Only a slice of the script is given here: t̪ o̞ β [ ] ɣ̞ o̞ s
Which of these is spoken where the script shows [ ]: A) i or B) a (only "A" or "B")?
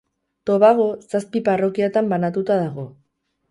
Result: B